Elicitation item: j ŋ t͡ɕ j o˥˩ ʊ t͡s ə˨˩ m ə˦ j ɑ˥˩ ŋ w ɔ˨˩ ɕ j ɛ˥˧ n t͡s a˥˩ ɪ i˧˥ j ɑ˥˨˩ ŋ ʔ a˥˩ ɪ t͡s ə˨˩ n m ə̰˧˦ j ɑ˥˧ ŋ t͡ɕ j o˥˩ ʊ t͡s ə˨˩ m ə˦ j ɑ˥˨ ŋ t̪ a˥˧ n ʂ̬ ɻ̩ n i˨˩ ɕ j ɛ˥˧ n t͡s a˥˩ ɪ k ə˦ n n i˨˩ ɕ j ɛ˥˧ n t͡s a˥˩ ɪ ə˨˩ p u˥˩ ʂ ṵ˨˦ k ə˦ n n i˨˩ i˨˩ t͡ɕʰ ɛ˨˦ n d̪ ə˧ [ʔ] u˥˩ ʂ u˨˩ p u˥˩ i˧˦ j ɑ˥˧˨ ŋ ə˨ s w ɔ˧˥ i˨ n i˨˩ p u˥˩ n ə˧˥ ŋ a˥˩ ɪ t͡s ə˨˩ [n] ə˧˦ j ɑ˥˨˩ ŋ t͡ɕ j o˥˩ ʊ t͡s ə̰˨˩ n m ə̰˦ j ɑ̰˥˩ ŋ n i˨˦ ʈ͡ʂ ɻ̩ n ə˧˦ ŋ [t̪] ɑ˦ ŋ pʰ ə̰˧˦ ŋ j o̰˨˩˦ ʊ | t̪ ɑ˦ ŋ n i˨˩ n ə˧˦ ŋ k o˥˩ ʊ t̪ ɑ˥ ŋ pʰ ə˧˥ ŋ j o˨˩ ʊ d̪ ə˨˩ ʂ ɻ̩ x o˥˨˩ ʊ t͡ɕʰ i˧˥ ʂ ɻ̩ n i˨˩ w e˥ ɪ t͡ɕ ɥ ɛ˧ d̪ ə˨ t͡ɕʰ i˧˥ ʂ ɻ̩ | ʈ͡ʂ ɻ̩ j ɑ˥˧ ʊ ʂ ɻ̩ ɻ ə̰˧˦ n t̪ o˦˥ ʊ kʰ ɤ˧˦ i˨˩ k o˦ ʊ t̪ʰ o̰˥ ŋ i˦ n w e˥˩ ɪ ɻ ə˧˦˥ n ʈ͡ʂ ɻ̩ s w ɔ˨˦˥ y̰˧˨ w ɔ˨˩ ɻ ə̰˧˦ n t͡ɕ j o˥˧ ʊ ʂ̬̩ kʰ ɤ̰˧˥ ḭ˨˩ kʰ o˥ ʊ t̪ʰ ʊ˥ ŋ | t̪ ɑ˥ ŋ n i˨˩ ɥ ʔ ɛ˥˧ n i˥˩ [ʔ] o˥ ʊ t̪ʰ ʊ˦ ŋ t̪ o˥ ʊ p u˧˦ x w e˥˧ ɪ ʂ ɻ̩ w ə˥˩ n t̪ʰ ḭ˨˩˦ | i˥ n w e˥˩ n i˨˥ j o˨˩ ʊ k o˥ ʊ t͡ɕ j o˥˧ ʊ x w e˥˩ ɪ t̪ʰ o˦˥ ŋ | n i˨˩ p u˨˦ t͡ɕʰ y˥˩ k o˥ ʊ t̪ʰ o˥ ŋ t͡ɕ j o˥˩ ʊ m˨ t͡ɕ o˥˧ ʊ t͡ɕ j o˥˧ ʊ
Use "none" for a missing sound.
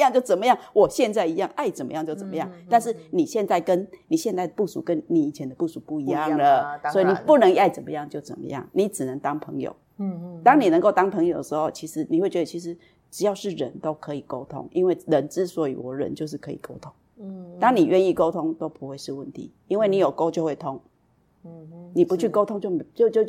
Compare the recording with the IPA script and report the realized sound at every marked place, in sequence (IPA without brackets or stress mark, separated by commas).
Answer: p, m, t̪, k